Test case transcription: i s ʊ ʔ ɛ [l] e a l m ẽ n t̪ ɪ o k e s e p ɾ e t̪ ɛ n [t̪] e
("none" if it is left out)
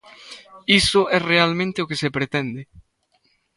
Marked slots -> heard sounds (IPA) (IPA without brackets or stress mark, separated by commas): r, d̪